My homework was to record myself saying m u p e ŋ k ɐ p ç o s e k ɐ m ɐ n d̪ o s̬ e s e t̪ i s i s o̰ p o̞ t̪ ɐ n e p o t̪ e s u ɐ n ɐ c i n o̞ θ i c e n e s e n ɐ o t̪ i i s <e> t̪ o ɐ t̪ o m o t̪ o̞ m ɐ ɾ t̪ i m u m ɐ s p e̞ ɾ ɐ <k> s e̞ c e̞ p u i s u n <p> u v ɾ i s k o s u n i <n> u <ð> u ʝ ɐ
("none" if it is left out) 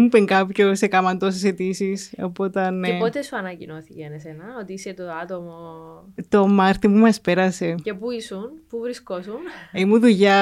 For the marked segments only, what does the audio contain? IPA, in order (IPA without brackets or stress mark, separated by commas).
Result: e, none, p, m, ð